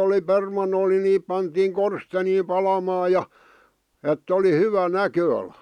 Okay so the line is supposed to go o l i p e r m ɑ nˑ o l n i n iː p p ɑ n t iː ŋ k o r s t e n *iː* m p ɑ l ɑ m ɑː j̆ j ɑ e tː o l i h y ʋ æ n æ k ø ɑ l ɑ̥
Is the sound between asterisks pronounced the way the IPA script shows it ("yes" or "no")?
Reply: yes